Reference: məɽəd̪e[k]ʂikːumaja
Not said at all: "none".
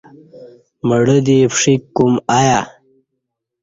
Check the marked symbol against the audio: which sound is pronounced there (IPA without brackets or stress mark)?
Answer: p